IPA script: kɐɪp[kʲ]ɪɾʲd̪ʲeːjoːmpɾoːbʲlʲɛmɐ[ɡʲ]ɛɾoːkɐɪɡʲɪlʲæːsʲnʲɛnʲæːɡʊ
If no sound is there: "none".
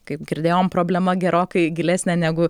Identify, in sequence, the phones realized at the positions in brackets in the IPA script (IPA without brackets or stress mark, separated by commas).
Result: ɡʲ, ɡʲ